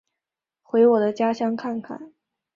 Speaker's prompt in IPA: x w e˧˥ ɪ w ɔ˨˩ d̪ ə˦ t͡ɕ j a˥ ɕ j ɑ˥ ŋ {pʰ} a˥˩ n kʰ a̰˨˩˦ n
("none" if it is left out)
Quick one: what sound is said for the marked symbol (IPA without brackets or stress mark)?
kʰ